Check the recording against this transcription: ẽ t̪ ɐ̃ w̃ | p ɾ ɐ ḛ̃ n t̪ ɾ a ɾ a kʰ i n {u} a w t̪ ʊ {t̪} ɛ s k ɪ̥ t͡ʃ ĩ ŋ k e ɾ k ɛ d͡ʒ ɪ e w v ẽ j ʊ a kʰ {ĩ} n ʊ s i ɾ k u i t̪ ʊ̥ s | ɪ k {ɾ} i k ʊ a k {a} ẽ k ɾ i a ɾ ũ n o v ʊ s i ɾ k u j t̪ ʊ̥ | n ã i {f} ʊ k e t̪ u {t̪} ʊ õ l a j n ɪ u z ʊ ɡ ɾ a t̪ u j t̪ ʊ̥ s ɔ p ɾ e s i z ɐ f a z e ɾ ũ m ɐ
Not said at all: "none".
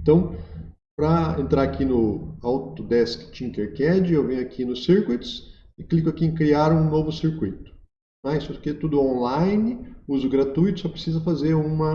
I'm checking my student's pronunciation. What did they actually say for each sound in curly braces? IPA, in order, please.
ʊ, d̪, i, l, i, s, d̪

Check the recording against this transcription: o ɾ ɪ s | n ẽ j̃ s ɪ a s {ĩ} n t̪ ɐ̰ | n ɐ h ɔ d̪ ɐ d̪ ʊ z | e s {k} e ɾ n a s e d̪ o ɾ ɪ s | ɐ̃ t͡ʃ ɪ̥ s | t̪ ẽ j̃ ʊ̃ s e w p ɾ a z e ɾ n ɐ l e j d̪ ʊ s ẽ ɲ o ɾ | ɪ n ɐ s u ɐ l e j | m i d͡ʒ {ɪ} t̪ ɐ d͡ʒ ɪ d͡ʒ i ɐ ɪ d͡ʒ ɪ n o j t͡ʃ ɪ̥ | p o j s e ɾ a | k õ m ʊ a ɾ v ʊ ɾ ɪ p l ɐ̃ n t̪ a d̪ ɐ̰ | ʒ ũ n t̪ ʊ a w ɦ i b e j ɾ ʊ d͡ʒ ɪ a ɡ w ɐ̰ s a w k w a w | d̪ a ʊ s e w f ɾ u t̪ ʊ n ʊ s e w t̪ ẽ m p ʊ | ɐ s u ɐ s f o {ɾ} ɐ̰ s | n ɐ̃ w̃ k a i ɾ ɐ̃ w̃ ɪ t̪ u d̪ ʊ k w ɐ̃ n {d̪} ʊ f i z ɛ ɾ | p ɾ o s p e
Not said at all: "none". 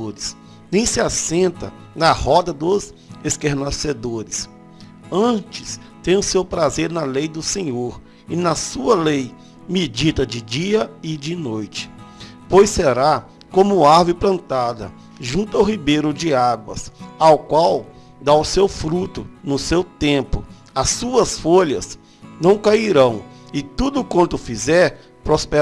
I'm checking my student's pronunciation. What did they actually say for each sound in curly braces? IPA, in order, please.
ẽ, k, i, ʎ, t̪

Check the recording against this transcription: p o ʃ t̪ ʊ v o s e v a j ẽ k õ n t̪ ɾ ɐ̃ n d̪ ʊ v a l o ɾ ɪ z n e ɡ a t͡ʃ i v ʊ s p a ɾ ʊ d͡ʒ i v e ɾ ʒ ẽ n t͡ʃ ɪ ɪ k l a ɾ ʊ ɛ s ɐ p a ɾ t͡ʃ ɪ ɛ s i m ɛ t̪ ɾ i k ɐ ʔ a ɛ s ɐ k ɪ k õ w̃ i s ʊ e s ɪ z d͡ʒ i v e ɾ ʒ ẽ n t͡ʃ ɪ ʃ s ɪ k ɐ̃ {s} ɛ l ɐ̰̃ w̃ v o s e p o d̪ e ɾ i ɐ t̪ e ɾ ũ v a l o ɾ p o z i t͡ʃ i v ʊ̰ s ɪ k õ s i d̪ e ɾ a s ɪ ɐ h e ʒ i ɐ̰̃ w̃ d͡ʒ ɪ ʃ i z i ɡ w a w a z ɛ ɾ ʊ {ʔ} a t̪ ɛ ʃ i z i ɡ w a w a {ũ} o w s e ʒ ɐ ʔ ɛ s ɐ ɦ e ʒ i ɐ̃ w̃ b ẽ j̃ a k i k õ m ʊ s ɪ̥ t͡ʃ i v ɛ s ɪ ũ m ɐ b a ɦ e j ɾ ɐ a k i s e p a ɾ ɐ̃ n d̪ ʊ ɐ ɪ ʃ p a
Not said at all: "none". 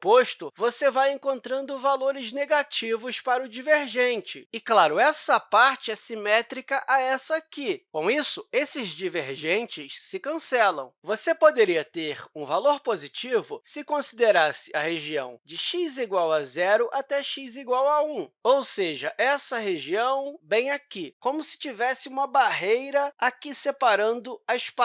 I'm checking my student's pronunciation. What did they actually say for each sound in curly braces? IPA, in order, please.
s, ʔ, ũ

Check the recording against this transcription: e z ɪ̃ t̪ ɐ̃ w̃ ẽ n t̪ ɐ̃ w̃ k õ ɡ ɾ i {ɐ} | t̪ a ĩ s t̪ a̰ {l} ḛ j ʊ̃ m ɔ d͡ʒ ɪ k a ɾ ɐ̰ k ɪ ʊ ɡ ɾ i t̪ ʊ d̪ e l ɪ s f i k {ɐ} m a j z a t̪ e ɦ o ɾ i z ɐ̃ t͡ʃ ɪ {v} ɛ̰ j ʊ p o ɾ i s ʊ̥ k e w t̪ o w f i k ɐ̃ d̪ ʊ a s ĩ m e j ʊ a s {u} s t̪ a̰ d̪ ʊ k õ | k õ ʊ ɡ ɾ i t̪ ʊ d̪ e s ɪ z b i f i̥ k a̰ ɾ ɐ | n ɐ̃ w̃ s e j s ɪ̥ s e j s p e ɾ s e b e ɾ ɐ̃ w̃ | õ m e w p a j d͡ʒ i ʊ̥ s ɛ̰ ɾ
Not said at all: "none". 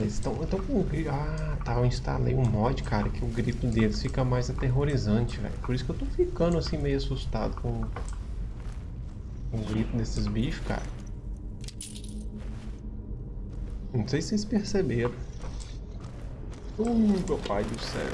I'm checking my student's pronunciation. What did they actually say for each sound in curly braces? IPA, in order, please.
a, l, ɐ, v, u

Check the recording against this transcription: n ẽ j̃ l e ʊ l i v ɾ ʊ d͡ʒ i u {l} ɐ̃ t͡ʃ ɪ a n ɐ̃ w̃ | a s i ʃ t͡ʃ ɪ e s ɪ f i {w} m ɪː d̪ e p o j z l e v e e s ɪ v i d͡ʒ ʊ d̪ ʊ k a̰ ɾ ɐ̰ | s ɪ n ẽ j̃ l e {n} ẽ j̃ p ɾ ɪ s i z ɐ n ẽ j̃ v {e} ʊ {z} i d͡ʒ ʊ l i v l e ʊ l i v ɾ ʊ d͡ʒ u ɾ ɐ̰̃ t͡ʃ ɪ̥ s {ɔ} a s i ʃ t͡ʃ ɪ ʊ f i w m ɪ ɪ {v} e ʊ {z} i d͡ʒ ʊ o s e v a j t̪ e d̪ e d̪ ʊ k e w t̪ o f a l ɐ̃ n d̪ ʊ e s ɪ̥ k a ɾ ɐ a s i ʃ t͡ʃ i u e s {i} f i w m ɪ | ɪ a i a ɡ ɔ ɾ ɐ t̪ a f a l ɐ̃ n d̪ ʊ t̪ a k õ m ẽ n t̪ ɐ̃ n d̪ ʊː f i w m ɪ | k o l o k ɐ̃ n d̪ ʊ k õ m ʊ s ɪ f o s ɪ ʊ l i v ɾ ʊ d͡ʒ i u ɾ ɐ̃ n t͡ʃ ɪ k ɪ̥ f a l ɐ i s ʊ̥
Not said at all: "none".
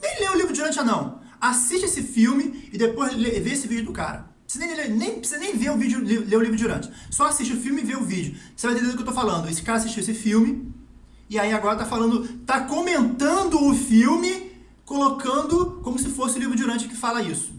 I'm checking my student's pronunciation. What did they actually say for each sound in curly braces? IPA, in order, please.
ɾ, w, n, e, v, ɔ, v, v, ɪ

